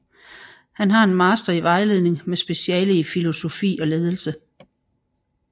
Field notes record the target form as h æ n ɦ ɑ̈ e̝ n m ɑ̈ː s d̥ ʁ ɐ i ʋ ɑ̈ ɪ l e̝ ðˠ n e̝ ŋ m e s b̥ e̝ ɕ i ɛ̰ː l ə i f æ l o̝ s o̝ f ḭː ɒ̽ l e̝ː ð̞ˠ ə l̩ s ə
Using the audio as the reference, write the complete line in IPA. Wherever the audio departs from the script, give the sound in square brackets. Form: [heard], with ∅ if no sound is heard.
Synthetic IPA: h æ n ɦ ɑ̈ e̝ n m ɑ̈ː s d̥ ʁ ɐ i ʋ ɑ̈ ɪ l e̝ ðˠ n e̝ ŋ m e s b̥ e̝ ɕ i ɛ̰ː l ə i f [i] l o̝ s o̝ f ḭː ɒ̽ l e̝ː ð̞ˠ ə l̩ s ə